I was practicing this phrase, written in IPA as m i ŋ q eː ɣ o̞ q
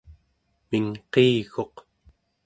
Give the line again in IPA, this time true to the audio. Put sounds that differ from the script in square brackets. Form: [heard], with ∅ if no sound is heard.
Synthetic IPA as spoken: m i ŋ q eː ɣ o̞ q